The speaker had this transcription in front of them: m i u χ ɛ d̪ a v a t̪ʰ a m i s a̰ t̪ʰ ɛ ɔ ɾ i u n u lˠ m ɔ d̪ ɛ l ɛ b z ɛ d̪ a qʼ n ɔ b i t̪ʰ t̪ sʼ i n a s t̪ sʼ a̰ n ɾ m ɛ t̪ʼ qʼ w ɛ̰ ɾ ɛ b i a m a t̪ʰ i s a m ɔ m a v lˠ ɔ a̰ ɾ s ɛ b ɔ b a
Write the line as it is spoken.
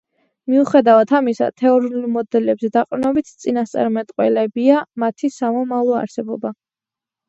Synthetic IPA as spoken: m i u χ ɛ d̪ a v a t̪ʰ a m i s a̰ t̪ʰ ɛ ɔ ɾ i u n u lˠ m ɔ d̪ ɛ l ɛ b z ɛ d̪ a qʼ n ɔ b i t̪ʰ t̪ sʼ i n a s t̪ sʼ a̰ ɾ m ɛ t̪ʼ qʼ w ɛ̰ l ɛ b i a m a t̪ʰ i s a m ɔ m a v lˠ ɔ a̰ ɾ s ɛ b ɔ b a